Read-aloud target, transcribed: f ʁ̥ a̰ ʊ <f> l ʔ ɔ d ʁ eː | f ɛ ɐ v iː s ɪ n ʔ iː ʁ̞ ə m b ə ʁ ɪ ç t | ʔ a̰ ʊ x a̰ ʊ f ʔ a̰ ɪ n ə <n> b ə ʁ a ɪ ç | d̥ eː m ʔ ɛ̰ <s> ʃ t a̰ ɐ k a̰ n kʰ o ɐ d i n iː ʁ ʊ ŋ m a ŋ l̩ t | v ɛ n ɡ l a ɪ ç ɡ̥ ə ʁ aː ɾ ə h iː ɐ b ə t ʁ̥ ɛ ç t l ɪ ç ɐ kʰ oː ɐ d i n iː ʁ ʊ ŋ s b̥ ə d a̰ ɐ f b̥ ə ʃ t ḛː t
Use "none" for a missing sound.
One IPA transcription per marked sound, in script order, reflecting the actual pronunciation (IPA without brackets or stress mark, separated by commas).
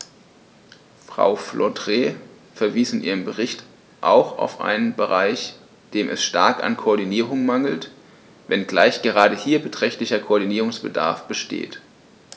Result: f, n, s